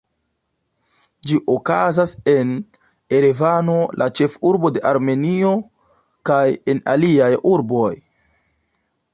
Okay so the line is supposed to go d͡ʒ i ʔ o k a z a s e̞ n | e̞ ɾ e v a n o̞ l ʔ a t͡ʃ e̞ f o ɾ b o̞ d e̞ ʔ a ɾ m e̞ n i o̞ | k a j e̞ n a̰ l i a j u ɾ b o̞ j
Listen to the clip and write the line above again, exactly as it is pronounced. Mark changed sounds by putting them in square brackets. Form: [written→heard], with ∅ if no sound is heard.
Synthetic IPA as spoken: d͡ʒ i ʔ o k a z a s e̞ n | e̞ ɾ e v a n o̞ l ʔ a t͡ʃ e̞ f [o→u] ɾ b o̞ d e̞ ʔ a ɾ m e̞ n i o̞ | k a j e̞ n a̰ l i a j u ɾ b o̞ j